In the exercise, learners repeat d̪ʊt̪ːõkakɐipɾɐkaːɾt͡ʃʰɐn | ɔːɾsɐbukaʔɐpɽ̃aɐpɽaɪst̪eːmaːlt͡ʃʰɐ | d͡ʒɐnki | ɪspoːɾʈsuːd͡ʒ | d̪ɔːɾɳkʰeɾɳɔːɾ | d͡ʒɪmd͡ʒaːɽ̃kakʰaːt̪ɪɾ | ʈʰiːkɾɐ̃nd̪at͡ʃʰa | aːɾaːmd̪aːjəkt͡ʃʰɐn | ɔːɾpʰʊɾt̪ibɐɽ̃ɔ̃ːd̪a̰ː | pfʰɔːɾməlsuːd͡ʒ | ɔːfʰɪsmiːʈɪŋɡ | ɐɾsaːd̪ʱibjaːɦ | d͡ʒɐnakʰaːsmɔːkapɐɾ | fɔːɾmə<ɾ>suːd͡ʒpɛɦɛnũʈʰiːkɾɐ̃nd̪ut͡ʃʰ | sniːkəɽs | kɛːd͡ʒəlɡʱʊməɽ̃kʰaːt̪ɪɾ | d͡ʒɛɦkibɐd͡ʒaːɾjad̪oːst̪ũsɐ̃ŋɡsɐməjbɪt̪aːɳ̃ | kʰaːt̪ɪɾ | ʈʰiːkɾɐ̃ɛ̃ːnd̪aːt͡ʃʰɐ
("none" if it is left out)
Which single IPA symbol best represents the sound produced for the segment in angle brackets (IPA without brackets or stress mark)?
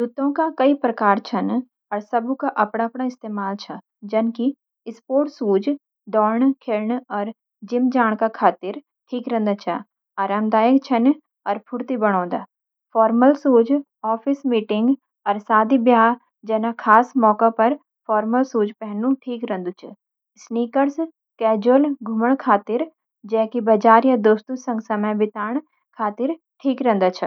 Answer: l